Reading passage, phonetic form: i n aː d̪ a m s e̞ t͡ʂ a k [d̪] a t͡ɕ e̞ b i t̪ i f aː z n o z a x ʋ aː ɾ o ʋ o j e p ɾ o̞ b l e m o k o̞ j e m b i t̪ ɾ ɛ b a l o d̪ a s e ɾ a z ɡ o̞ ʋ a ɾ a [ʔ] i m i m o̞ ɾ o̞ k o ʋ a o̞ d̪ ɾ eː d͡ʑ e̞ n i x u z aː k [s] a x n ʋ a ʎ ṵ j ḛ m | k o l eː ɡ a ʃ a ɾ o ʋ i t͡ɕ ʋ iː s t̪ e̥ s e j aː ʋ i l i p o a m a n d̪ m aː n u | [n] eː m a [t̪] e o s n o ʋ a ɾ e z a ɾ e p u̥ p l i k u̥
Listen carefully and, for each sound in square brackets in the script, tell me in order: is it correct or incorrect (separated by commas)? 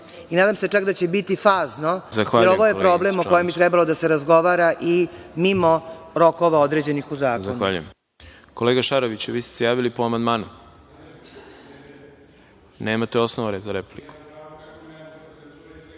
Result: correct, correct, incorrect, correct, correct